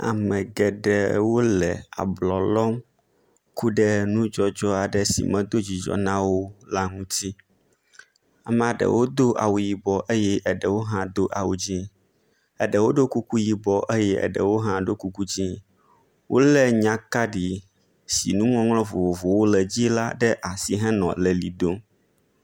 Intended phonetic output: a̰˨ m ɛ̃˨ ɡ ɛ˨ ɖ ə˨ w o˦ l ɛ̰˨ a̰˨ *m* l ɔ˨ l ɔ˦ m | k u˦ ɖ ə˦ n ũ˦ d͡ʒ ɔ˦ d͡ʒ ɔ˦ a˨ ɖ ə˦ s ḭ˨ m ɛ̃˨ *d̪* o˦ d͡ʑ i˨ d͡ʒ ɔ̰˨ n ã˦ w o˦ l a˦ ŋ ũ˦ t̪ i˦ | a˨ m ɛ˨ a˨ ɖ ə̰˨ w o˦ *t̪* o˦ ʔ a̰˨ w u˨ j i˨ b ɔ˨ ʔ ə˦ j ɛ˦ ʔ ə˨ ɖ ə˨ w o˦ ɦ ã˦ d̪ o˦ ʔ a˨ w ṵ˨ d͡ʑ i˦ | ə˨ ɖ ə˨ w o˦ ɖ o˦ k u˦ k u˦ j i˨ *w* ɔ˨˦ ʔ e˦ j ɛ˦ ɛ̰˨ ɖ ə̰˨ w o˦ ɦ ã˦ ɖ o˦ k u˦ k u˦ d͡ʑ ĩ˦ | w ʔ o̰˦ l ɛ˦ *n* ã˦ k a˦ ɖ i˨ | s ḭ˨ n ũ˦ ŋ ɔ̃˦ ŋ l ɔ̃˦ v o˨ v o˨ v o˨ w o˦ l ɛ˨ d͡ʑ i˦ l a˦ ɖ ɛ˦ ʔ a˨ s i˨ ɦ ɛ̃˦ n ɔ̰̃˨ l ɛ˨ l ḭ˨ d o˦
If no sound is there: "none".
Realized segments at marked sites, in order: b, d̪, d̪, b, ɲ

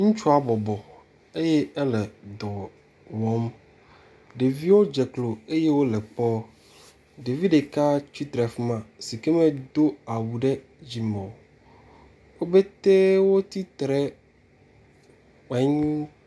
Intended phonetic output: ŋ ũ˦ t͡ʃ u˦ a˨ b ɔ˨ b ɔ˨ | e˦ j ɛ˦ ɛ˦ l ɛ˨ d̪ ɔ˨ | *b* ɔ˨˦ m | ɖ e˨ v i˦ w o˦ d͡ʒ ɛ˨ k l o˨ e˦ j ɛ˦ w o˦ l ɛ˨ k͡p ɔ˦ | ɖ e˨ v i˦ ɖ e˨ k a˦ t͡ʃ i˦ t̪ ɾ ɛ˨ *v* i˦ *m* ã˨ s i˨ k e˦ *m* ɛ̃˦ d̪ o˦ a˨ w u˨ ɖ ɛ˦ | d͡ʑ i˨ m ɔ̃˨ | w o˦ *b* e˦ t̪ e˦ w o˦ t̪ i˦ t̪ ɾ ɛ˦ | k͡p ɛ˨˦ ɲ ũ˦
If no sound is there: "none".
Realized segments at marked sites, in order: w, f, m, m, b

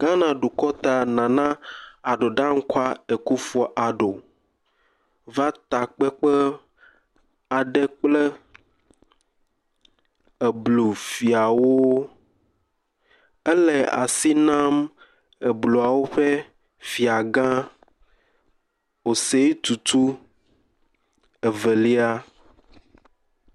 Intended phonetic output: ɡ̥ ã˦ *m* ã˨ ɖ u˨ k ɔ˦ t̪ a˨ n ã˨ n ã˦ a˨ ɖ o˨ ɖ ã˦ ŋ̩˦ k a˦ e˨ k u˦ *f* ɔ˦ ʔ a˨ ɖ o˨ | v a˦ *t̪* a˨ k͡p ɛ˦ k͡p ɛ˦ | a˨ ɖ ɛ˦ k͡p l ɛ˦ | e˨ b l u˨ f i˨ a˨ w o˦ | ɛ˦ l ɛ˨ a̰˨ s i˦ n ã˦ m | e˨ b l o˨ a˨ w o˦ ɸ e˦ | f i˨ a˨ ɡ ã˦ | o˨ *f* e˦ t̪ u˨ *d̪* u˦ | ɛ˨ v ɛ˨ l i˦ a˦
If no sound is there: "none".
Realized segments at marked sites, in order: n, f, t̪, s, t̪

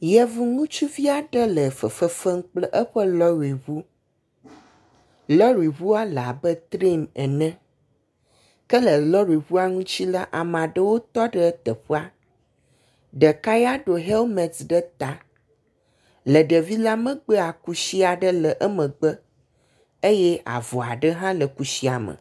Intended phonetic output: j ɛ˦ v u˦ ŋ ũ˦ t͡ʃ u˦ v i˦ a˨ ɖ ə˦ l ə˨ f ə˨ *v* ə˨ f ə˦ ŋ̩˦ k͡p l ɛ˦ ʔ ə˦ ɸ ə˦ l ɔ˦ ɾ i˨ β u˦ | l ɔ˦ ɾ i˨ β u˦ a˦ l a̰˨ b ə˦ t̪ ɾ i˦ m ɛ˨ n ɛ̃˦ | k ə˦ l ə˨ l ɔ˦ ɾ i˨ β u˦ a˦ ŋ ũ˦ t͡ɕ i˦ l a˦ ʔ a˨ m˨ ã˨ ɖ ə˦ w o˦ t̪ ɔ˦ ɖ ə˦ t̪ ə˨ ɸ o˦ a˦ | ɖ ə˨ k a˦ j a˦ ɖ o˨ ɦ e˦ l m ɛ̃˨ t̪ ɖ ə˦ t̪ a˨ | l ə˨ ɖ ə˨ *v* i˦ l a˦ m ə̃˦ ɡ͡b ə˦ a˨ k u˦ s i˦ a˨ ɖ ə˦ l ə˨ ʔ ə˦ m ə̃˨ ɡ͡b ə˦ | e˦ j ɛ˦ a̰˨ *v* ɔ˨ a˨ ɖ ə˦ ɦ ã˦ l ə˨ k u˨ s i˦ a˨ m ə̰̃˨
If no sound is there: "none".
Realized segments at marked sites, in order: f, v, v

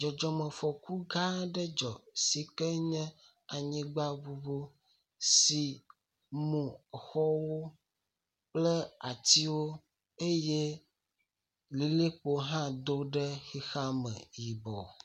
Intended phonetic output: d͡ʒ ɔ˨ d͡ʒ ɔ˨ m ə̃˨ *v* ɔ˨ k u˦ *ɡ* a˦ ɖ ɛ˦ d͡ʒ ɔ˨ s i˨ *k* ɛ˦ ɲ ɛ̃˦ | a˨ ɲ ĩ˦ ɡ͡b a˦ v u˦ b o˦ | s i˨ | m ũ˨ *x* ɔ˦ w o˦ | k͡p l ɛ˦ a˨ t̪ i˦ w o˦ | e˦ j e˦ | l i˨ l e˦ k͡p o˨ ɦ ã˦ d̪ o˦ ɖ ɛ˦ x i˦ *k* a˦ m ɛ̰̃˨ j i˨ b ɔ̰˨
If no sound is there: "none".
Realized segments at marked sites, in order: f, ɡ, k, x, x

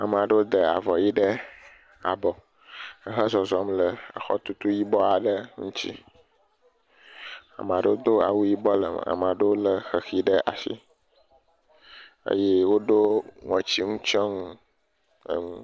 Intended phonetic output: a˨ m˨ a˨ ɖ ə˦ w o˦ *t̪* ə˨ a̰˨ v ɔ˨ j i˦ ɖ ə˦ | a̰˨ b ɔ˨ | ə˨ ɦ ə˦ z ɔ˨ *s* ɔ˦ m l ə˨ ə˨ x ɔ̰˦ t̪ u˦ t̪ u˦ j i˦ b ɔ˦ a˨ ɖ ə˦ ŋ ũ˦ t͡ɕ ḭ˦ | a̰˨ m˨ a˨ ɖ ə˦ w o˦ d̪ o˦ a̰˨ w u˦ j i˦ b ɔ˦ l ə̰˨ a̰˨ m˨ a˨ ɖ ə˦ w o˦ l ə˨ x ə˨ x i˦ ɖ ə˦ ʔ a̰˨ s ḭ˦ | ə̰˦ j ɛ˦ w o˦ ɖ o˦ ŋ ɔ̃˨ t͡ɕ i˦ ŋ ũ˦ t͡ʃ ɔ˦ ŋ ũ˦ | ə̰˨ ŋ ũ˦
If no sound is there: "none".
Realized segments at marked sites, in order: d̪, z

